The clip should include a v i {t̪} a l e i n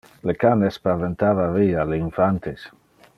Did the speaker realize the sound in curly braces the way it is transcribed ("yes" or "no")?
no